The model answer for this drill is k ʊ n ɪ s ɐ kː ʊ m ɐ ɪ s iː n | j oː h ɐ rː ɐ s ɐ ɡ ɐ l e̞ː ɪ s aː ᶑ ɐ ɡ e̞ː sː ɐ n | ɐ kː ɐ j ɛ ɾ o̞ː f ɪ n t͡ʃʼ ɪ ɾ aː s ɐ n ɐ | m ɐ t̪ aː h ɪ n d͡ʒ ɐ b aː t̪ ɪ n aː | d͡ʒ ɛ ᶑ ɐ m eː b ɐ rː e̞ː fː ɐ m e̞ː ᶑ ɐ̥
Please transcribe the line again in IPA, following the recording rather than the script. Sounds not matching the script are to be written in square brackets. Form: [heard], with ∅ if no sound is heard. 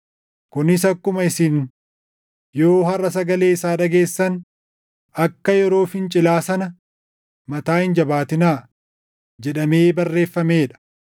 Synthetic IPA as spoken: k ʊ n ɪ s ɐ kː ʊ m ɐ ɪ s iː n | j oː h ɐ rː ɐ s ɐ ɡ ɐ l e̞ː ɪ s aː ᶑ ɐ ɡ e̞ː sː ɐ n | ɐ kː ɐ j ɛ ɾ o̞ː f ɪ n t͡ʃʼ ɪ [l] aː s ɐ n ɐ | m ɐ t̪ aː h ɪ n d͡ʒ ɐ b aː t̪ ɪ n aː | d͡ʒ ɛ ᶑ ɐ m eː b ɐ rː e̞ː fː ɐ m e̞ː ᶑ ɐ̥